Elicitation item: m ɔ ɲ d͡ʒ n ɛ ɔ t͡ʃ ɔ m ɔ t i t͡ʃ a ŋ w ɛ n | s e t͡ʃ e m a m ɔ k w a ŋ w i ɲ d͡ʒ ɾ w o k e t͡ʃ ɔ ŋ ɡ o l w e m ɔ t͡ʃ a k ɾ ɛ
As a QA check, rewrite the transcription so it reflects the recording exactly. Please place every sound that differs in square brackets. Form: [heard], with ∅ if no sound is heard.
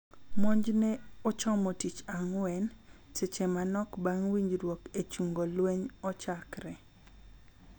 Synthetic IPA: m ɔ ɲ d͡ʒ n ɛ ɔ t͡ʃ ɔ m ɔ t i t͡ʃ a ŋ w ɛ n | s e t͡ʃ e m a [n] ɔ k [b] a ŋ w i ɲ d͡ʒ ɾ w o k e t͡ʃ [u] ŋ ɡ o l w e [ɲ] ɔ t͡ʃ a k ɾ ɛ